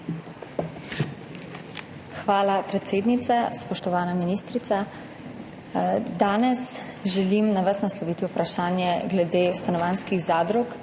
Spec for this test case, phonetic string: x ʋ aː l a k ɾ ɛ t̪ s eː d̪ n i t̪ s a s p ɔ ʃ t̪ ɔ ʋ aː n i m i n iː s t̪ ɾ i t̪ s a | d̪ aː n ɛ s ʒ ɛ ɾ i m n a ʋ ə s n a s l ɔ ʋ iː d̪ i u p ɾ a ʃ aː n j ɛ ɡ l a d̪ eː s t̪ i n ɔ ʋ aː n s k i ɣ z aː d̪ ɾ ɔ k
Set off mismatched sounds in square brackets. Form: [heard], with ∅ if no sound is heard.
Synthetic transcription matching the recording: x ʋ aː l a [p] ɾ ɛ t̪ s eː d̪ n i t̪ s a s p ɔ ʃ t̪ ɔ ʋ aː n [a] m i n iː s t̪ ɾ i t̪ s a | d̪ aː n ɛ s ʒ ɛ [l] i m n a ʋ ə s n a s l ɔ ʋ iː [t̪] i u p ɾ a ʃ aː n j ɛ ɡ l [ɛ] d̪ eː s t̪ [a] n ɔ ʋ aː n s k i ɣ z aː d̪ ɾ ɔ k